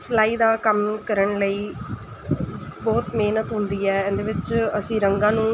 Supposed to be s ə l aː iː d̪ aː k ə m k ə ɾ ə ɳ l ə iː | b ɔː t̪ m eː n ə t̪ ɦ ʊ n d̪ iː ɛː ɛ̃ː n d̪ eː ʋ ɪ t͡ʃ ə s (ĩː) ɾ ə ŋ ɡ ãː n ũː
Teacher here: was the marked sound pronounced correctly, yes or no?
yes